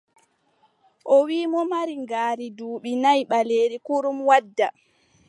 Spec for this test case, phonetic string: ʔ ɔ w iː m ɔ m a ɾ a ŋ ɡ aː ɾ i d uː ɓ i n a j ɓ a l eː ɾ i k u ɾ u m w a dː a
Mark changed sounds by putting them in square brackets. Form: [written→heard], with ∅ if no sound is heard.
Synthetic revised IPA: ʔ ɔ w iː m ɔ m a ɾ [a→i] ŋ ɡ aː ɾ i d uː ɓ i n a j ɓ a l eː ɾ i k u ɾ u m w a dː a